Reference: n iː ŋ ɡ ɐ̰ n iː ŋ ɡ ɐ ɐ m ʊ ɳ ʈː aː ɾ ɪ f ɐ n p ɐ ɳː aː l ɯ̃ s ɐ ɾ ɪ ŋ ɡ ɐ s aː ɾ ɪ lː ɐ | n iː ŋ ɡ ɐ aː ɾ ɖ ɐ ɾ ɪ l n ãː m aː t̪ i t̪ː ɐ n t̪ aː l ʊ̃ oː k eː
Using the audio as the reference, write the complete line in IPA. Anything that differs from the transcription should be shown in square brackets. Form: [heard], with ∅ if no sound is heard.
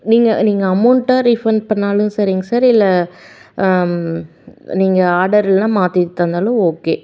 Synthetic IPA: n iː ŋ ɡ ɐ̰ n iː ŋ ɡ ɐ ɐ m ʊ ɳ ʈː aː ɾ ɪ f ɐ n p ɐ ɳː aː l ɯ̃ s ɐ ɾ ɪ ŋ ɡ ɐ s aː ɾ ɪ lː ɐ | n iː ŋ ɡ ɐ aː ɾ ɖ ɐ ɾ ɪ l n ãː m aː t̪ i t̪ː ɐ n [d̪] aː l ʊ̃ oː k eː